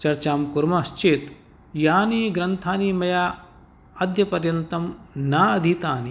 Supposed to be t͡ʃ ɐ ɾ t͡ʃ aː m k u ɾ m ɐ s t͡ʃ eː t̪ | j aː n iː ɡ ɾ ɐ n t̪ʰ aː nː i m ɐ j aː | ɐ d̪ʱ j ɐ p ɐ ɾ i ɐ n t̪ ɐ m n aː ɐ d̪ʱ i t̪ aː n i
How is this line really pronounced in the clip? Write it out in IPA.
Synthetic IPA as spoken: t͡ʃ ɐ ɾ t͡ʃ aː m k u ɾ m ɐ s t͡ʃ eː t̪ | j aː n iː ɡ ɾ ɐ n t̪ʰ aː n i m ɐ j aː | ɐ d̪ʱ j ɐ p ɐ ɾ j ɐ n t̪ ɐ m n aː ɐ d̪ʱ i t̪ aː n i